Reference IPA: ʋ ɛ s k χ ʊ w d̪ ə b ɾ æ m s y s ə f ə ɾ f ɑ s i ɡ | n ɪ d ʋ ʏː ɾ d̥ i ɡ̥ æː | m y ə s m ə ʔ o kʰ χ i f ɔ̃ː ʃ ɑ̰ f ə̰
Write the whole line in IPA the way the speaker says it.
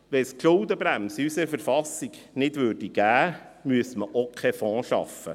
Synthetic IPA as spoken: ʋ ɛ s k ʃ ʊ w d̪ ə b ɾ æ m s y s ə f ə ɾ f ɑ s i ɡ | n ɪ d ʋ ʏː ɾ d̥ i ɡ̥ æː | m y ə s m ə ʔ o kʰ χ ɛ f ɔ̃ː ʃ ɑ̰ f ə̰